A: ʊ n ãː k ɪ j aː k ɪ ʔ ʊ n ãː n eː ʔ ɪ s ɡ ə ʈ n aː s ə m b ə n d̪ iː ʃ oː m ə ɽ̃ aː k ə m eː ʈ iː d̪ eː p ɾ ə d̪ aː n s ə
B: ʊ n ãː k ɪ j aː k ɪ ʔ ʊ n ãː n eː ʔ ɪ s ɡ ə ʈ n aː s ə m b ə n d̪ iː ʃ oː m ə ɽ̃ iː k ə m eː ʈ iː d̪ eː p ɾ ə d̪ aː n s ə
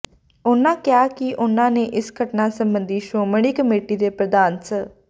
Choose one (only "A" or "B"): B